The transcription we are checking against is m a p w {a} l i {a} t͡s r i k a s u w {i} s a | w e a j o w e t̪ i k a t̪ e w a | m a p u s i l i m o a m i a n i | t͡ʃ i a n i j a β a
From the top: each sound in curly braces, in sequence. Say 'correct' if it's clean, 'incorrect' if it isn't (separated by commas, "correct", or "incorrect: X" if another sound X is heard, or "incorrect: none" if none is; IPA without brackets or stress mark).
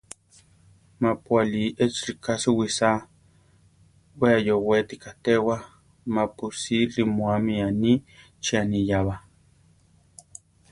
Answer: correct, incorrect: e, correct